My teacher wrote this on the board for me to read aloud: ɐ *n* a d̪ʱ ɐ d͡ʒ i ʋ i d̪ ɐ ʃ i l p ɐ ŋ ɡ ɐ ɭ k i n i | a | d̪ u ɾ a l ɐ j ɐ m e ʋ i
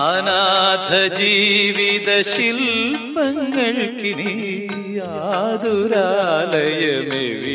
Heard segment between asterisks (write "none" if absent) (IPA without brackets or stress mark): n